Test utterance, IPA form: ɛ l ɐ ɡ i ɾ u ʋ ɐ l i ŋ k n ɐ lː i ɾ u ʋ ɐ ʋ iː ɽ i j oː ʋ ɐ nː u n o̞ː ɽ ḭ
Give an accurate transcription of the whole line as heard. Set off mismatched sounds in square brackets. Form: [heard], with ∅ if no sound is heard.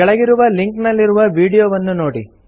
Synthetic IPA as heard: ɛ [ɭ] ɐ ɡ i ɾ u ʋ ɐ l i ŋ k n ɐ lː i ɾ u ʋ ɐ ʋ iː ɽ i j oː ʋ ɐ nː u n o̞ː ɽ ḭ